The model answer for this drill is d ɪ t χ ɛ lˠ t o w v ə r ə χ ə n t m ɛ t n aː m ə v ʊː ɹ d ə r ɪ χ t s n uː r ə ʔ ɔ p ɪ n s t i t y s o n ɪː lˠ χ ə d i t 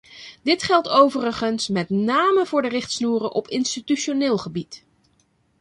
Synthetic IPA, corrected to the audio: d ɪ t χ ɛ lˠ t o w v ə r ə χ ə n s m ɛ t n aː m ə v ʊː ɹ d ə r ɪ χ t s n uː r ə ʔ ɔ p ɪ n s t i t y ʃ o n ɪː lˠ χ ə b i t